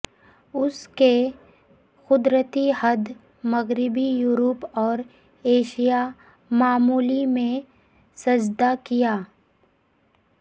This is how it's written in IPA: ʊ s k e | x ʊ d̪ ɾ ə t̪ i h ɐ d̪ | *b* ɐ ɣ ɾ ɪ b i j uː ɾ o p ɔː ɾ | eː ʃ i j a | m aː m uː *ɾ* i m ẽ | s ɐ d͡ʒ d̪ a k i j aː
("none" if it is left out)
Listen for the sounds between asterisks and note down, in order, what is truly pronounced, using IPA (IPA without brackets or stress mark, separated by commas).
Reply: m, l